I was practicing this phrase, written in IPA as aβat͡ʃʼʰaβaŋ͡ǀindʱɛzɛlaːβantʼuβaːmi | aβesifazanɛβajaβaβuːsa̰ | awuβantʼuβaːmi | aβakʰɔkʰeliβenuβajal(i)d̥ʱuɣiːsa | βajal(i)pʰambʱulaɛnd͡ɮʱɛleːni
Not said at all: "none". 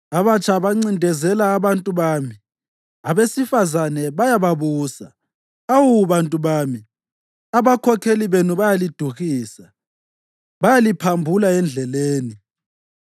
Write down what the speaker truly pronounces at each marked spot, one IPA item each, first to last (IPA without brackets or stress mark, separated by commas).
i, i